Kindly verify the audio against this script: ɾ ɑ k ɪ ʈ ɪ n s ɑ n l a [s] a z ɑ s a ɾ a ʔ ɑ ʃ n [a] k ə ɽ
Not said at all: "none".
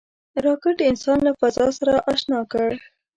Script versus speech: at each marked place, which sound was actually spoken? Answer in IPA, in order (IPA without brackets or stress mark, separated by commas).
f, ɑ